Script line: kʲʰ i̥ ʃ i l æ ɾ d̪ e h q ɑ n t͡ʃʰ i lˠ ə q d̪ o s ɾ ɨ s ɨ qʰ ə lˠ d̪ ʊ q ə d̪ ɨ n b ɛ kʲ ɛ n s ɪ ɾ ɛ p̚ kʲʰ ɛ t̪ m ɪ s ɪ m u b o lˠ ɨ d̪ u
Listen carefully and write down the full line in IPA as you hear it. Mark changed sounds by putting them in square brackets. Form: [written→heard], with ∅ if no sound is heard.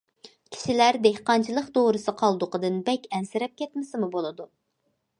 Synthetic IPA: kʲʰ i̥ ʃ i l æ ɾ d̪ e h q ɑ n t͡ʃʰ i lˠ ə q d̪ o [s→∅] ɾ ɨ s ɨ qʰ [ə→ɑ] lˠ d̪ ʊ q ə d̪ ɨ n b ɛ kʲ ɛ n s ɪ ɾ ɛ p̚ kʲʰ ɛ t̪ m ɪ s ɪ m u b o lˠ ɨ d̪ u